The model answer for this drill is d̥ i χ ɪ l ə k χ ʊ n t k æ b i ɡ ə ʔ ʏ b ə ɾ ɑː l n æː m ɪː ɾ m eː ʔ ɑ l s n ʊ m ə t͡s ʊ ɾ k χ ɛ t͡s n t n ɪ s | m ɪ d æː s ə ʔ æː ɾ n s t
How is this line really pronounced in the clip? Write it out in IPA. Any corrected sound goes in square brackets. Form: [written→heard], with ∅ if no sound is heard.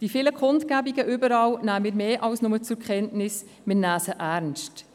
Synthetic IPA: d̥ i [χ→f] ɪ l ə k χ ʊ n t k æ b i ɡ ə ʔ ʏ b ə ɾ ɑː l n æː m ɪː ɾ m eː ʔ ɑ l s n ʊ m ə t͡s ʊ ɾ k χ ɛ [t͡s→∅] n t n ɪ s | m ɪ [d→n] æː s ə ʔ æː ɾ n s t